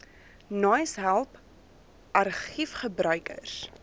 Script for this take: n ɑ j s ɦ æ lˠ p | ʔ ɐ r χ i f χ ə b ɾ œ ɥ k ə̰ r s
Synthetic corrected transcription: n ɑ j s ɦ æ lˠ p | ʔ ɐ r χ i f χ ə b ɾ œ ɥ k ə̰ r s